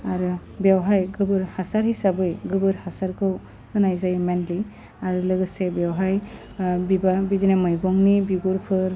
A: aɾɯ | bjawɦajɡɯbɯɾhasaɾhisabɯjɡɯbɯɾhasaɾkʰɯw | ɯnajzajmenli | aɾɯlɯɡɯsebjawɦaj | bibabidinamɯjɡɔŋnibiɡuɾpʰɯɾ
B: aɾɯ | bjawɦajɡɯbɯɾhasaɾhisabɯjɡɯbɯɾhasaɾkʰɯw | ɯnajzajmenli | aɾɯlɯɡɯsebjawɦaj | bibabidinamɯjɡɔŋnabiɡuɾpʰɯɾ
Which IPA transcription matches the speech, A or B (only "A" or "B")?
A